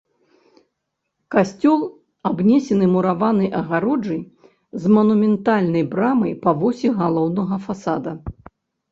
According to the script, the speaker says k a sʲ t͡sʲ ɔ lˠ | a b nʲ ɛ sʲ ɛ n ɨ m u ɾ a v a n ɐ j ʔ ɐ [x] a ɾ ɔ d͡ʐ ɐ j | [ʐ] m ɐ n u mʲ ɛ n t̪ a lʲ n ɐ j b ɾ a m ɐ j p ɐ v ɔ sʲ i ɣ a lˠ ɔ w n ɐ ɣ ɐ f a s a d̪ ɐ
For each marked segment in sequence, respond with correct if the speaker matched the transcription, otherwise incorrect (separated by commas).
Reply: incorrect, incorrect